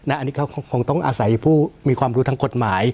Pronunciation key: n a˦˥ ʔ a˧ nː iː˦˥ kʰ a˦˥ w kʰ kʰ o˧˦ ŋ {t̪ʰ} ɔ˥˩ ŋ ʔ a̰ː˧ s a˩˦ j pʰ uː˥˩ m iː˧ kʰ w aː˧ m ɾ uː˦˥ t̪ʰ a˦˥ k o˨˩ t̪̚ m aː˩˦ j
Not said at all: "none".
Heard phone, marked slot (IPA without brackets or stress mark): t̪